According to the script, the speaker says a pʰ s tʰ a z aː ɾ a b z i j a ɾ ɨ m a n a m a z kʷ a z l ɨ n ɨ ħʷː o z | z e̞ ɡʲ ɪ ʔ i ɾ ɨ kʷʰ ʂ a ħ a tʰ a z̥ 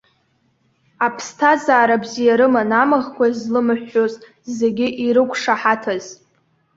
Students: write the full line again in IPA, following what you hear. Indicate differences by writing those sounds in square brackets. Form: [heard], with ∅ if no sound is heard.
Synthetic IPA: a pʰ s tʰ a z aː ɾ a b z i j a ɾ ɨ m a n a m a [ʁ] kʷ a z l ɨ [m] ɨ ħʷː o z | z e̞ ɡʲ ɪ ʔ i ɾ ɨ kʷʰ ʂ a ħ a tʰ a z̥